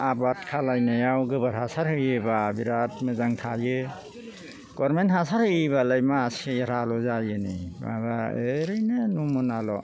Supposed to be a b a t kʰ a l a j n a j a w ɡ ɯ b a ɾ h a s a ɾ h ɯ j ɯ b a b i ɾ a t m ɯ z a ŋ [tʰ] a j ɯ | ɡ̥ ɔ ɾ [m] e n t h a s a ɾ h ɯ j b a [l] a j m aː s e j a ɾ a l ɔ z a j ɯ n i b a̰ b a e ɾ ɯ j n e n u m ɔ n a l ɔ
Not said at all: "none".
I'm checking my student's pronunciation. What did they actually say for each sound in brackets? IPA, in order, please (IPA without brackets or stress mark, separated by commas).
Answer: tʰ, m, l